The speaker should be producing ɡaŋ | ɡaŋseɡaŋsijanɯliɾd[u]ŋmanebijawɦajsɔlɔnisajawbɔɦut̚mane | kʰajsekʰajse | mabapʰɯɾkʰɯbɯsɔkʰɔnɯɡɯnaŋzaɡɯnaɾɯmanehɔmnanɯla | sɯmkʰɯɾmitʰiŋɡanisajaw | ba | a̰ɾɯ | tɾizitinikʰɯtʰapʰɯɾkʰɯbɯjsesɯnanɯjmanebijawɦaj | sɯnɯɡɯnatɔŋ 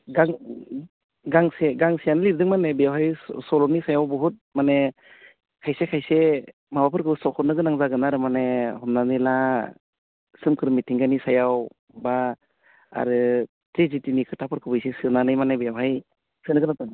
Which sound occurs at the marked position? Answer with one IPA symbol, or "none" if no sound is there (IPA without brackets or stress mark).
ɯ